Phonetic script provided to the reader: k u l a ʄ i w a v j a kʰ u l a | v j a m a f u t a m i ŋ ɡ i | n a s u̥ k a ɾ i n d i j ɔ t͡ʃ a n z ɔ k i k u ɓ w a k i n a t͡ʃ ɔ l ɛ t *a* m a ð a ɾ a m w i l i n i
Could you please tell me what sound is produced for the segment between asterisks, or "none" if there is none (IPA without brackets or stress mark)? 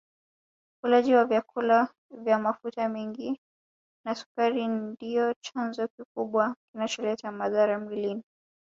a